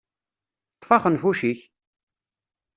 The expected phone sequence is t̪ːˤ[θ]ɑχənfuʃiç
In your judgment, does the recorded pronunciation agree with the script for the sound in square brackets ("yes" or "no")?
no